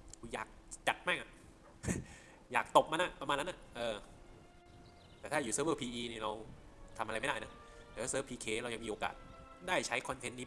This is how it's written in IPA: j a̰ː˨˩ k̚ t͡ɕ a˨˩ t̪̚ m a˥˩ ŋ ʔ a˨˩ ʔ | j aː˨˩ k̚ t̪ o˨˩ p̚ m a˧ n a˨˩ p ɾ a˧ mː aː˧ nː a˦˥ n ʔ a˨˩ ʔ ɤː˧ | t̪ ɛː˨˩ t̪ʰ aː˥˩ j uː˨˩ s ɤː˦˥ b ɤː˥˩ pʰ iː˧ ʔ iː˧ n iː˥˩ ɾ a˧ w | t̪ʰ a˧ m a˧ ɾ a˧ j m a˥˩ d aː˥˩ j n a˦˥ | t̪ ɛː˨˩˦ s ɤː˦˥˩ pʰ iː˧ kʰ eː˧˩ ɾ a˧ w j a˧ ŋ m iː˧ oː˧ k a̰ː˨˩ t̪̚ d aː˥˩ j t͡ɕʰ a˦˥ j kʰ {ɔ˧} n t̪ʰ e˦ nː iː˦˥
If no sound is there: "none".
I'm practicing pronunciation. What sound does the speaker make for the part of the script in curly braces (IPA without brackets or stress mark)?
ɔ˧